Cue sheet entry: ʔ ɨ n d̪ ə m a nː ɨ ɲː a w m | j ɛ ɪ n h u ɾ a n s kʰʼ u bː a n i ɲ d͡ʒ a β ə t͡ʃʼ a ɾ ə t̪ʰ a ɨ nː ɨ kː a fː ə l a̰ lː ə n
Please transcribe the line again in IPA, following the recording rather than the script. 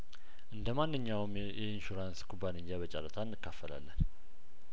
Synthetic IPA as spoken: ʔ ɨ n d̪ ə m a nː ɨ ɲː a w m | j ɛ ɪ n ʃ u ɾ a n s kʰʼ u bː a n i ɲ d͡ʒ a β ə t͡ʃʼ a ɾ ə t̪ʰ a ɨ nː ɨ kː a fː ə l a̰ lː ə n

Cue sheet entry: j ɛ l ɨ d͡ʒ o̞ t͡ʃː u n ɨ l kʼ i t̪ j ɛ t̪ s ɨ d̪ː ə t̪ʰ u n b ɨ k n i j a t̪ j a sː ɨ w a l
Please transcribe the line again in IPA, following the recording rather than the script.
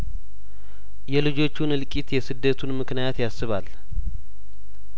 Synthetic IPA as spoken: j ɛ l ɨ d͡ʒ o̞ t͡ʃː u n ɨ l kʼ i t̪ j ɛ s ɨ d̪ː ə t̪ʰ u n m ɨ k n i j a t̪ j a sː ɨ β a l

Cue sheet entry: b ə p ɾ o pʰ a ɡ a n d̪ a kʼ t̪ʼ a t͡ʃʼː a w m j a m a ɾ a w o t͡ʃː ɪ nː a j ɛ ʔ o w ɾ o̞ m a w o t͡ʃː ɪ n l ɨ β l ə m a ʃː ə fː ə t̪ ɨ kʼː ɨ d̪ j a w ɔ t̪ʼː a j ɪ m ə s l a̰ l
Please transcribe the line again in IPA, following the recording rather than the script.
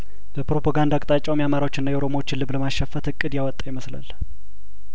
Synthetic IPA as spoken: b ə p ɾ o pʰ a ɡ a n d̪ a kʼ t̪ʼ a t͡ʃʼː a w m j a m a ɾ a w o t͡ʃː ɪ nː a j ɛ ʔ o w ɾ o̞ m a w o t͡ʃː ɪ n l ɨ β l ə m a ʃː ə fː ə t̪ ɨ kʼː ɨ d̪ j a w ɔ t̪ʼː a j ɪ m ə s l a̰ l

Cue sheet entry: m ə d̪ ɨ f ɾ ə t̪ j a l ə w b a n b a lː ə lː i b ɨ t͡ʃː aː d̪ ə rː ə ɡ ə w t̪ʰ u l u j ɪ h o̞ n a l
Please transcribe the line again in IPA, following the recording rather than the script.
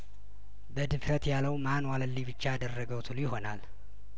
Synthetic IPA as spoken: b ə d̪ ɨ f ɾ ə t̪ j a l ə w m a n w a l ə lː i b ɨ t͡ʃː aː d̪ ə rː ə ɡ ə w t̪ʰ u l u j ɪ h o̞ n a l

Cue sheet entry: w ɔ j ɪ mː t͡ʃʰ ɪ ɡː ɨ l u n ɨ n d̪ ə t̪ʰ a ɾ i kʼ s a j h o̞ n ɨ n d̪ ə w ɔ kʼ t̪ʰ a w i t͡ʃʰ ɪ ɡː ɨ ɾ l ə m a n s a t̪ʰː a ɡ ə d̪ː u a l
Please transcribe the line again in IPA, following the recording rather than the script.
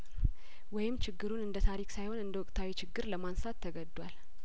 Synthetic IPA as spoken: w ɔ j ɪ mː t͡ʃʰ ɪ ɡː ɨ ɾ u n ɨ n d̪ ə t̪ʰ a ɾ i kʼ s a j h o̞ n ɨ n d̪ ə w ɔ kʼ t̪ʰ a w i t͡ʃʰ ɪ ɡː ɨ ɾ l ə m a n s a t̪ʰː ə ɡ ə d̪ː w a l

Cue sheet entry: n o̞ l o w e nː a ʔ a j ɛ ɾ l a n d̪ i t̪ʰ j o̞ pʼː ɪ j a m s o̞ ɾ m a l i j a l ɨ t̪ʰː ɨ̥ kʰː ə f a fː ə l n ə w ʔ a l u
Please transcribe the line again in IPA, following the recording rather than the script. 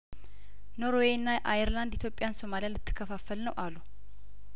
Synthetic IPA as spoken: n o̞ ɾ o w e nː a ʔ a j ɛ ɾ l a n d̪ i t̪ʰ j o̞ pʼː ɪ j a n s o̞ m a l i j a l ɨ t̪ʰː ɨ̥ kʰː ə f a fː ə l n ə w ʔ a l u

